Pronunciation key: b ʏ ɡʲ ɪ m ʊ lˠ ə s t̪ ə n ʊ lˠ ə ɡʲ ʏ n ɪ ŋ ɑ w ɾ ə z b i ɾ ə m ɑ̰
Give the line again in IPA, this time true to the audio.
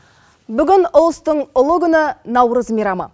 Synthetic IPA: b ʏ ɡʲ ɪ n ʊ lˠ ə s t̪ ə ɴ ʊ lˠ ə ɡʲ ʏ n ɪ n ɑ w ɾ ə z m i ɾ ɑ m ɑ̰

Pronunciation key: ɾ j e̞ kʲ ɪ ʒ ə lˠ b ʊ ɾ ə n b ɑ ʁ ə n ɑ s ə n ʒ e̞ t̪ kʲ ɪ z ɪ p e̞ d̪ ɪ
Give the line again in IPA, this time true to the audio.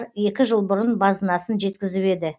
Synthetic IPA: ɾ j e̞ kʲ ɪ ʒ ə lˠ b ʊ ɾ ə n b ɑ z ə n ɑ s ə n ʒ e̞ t̪ kʲ ɪ z ɪ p e̞ d̪ ɪ

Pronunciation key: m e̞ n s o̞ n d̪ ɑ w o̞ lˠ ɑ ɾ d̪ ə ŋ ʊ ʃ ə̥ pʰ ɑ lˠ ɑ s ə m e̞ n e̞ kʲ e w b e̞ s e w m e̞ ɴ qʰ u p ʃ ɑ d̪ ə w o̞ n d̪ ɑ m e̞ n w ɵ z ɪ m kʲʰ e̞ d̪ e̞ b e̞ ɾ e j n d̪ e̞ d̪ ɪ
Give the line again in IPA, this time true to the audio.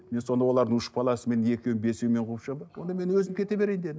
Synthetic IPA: m e̞ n s o̞ n d̪ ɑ w o̞ lˠ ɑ ɾ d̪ ə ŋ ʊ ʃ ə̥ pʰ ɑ lˠ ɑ s ə m e̞ n e̞ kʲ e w b e̞ s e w m e̞ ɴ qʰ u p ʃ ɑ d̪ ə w o̞ n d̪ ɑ m e̞ n w ɵ z ɪ m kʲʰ e̞ t̪ e̞ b e̞ ɾ e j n d̪ e̞ d̪ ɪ

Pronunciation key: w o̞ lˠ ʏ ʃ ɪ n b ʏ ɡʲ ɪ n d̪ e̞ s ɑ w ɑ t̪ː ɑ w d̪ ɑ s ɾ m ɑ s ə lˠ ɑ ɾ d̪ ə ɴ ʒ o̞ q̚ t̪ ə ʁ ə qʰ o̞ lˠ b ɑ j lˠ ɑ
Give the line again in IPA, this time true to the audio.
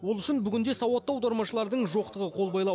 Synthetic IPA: w o̞ lˠ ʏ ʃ ɪ n b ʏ ɡʲ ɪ n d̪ e̞ s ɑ w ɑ t̪ː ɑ w d̪ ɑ ɾ m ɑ ʃ ə lˠ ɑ ɾ d̪ ə ɴ ʒ o̞ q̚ t̪ ə ʁ ə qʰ o̞ lˠ b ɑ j lˠ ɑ

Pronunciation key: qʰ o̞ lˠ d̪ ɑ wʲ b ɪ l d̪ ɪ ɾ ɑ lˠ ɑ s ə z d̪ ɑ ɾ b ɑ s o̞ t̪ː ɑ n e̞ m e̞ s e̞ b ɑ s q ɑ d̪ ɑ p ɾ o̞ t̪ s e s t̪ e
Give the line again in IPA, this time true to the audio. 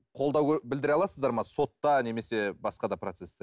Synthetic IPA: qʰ o̞ lˠ d̪ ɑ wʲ b ɪ l d̪ ɪ ɾ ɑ lˠ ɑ s ə z d̪ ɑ ɾ m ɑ s o̞ t̪ː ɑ n e̞ m e̞ s e̞ b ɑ s q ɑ d̪ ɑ p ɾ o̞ t̪ s e s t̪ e

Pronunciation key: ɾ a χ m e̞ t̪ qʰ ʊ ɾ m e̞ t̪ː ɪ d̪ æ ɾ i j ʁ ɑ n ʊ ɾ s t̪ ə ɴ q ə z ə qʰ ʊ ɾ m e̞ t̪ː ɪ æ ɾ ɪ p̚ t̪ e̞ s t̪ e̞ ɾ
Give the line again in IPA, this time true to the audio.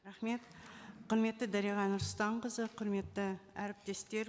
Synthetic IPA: ɾ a χ m e̞ t̪ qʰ ʊ ɾ m e̞ t̪ː ɪ d̪ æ ɾ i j ʁ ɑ n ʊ ɾ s t̪ ɑ ɴ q ə z ə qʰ ʊ ɾ m e̞ t̪ː ɪ æ ɾ ɪ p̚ t̪ e̞ s t̪ e̞ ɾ

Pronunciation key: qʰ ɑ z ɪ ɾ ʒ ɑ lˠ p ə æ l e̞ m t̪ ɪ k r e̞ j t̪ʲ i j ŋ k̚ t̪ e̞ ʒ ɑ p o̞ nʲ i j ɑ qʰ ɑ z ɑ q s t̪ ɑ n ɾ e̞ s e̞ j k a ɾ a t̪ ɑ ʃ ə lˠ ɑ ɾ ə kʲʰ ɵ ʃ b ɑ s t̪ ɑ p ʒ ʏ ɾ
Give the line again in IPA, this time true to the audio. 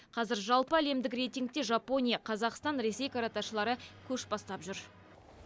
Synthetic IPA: qʰ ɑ z ɪ ɾ ʒ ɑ lˠ p ə æ l e̞ m d̪ ɪ k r e̞ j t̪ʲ i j ŋ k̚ t̪ e̞ ʒ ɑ p o̞ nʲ i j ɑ qʰ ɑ z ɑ q s t̪ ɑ n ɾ e̞ s e̞ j k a ɾ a t̪ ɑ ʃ ə lˠ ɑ ɾ ə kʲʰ ɵ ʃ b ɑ s t̪ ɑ p ʒ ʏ ɾ

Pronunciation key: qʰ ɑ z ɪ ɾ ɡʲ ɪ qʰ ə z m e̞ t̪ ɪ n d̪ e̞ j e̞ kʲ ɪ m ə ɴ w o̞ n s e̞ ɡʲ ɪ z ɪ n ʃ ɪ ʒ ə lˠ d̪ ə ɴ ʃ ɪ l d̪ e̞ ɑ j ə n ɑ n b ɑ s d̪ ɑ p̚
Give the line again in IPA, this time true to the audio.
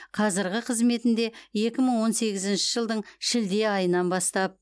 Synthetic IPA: qʰ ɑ z ɪ ɾ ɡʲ ɪ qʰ ə z m e̞ t̪ ɪ n d̪ e̞ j e̞ kʲ ɪ m ə ɴ w o̞ n s e̞ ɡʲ ɪ z ɪ n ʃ ɪ ʒ ə lˠ d̪ ə ɴ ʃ ɪ l d̪ e̞ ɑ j ə n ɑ n b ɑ s t̪ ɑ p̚

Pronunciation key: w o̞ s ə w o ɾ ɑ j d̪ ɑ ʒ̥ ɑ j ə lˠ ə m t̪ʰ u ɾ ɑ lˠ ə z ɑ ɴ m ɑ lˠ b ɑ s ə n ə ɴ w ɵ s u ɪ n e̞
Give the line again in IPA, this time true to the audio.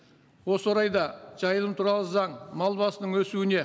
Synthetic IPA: w o̞ s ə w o ɾ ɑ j d̪ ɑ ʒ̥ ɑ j ə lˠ ə m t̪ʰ u ɾ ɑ lˠ ə z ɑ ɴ m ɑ lˠ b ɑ s ə n ə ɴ w ɵ s u ɪ n e̞

